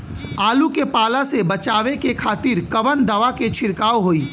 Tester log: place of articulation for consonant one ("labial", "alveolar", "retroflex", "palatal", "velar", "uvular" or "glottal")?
alveolar